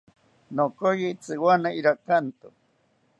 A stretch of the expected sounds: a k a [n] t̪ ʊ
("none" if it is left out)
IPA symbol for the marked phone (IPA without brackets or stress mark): n